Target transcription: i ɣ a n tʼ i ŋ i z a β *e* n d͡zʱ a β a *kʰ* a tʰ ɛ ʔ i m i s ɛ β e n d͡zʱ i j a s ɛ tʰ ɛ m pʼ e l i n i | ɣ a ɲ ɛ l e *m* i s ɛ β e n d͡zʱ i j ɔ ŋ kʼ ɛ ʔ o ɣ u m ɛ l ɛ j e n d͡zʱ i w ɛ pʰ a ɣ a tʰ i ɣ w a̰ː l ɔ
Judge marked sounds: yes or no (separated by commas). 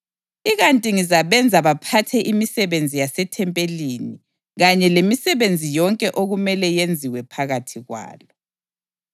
no, no, yes